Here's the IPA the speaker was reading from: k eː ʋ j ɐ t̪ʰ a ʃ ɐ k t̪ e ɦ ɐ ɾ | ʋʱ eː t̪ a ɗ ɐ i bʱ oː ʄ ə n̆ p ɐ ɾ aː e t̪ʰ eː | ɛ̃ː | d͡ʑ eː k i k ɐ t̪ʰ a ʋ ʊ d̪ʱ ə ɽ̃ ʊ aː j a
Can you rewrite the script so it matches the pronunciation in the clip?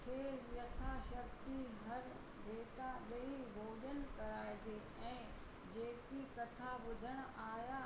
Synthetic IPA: kʰ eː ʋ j ɐ t̪ʰ a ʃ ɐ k t̪ i ɦ ɐ ɾ | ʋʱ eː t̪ a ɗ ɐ i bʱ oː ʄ ə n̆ k ɐ ɾ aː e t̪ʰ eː | ɛ̃ː | d͡ʑ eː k i k ɐ t̪ʰ a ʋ ʊ d̪ʱ ə ɽ̃ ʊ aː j a